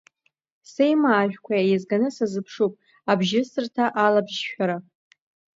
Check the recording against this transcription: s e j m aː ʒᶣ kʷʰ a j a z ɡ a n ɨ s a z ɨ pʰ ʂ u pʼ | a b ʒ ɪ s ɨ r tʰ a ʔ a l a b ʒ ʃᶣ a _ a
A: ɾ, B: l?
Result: A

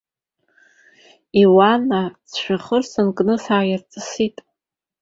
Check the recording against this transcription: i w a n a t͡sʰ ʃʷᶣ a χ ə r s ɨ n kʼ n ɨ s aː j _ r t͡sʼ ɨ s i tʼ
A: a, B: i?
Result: A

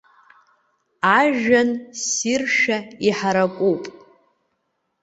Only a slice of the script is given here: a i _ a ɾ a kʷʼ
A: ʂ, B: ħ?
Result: B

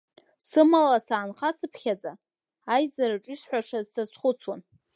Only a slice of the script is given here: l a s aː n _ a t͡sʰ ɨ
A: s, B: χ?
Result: B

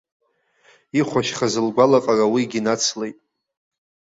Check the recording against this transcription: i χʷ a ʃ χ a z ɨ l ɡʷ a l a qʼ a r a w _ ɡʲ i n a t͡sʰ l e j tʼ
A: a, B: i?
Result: B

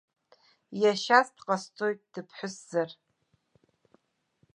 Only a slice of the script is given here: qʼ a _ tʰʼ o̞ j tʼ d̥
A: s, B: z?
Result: A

